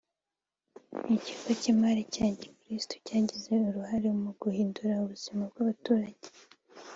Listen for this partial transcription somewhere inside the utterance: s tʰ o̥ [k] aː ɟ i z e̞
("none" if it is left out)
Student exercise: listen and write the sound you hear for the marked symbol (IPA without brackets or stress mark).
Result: c